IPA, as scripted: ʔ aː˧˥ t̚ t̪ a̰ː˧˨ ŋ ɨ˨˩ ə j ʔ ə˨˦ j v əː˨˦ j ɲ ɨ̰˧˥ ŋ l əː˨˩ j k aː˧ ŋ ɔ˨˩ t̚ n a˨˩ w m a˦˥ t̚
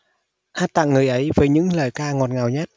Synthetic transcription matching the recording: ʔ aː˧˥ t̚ t̪ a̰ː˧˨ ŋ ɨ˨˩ ə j ʔ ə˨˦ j v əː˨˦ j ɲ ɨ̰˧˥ ŋ l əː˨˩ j k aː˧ ŋ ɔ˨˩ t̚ ŋ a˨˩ w ɲ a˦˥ t̚

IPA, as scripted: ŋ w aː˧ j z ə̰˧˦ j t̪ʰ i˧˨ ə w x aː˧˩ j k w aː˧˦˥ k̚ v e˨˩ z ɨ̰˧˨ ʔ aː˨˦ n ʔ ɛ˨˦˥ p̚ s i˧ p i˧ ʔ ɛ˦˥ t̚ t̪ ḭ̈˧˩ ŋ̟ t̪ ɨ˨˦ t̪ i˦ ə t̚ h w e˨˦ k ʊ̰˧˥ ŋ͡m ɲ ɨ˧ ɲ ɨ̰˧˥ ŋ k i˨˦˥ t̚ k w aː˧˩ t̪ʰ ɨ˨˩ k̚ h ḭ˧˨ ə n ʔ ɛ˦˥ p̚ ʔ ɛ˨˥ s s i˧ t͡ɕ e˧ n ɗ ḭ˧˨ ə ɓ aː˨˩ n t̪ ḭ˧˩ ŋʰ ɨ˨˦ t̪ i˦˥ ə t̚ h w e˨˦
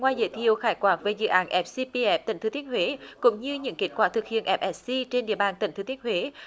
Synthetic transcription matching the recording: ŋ w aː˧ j z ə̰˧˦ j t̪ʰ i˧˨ ə w x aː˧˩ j k w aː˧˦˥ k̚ v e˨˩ z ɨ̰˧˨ ʔ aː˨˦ n ʔ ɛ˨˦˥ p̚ s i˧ p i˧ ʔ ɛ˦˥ p̚ t̪ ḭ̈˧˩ ŋ̟ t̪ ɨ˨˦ t̪ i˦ ə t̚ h w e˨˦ k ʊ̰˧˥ ŋ͡m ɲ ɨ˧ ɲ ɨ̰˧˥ ŋ k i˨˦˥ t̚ k w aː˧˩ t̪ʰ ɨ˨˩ k̚ h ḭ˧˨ ə n ʔ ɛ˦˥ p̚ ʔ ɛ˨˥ s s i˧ t͡ɕ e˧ n ɗ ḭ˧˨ ə ɓ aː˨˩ n t̪ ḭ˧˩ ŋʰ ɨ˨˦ t̪ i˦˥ ə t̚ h w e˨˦

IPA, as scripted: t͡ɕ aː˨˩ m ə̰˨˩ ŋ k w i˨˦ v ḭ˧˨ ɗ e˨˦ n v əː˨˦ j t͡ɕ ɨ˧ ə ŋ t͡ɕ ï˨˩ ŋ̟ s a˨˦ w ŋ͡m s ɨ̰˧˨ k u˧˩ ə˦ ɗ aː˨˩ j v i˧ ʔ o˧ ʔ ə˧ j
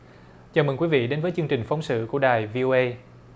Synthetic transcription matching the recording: t͡ɕ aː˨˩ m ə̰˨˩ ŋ k w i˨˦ v ḭ˧˨ ɗ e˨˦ n v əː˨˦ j t͡ɕ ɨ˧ ə ŋ t͡ɕ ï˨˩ ŋ̟ f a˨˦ w ŋ͡m s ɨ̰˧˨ k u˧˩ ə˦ ɗ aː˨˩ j v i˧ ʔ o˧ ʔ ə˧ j

